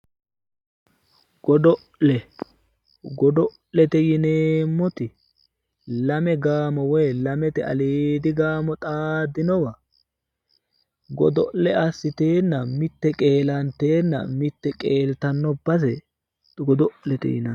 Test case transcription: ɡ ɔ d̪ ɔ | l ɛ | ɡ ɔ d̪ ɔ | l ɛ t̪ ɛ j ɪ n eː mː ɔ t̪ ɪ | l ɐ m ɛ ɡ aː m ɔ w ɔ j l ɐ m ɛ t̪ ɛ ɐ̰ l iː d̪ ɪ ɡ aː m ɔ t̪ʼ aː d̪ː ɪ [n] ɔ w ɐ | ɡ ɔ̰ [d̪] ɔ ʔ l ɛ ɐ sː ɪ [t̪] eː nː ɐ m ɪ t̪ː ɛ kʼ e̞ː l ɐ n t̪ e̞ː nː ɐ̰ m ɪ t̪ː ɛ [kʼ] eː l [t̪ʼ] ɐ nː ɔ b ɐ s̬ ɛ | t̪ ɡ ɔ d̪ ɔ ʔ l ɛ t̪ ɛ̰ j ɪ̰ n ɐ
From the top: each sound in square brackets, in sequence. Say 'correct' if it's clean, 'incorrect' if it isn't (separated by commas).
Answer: correct, correct, correct, correct, incorrect